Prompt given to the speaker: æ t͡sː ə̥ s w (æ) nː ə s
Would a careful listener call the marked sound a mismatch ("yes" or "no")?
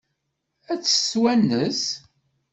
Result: no